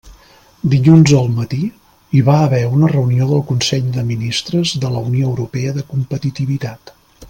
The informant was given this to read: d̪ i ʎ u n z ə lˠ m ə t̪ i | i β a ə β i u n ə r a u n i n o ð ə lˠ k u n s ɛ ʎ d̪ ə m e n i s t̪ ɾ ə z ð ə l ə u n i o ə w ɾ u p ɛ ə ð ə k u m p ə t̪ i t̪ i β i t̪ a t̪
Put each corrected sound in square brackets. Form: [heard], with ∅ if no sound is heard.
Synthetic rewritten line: d̪ i ʎ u n z ə lˠ m ə t̪ i | i β a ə β [ɛ] u n ə r [ə] u n i [∅] o ð ə lˠ k u n s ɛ ʎ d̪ ə m [i] n i s t̪ ɾ ə z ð ə l ə u n i o ə w ɾ u p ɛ ə ð ə k u m p ə t̪ i t̪ i β i t̪ a t̪